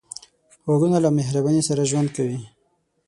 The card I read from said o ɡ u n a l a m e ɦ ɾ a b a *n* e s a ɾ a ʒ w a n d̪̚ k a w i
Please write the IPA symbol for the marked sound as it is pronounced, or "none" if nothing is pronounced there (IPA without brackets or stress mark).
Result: n